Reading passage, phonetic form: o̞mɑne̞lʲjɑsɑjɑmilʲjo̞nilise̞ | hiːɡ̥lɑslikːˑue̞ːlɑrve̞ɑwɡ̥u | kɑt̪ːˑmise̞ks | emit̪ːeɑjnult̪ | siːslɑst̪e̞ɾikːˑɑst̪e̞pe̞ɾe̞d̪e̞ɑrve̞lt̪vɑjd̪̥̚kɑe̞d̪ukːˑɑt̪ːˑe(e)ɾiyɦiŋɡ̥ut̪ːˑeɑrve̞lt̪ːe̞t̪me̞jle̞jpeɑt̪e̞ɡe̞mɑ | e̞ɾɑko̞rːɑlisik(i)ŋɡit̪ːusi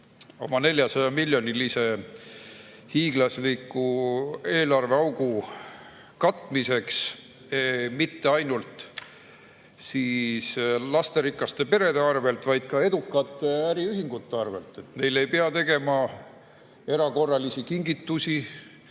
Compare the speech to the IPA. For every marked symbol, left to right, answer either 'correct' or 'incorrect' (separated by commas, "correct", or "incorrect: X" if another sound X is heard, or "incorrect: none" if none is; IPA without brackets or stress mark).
incorrect: æ, correct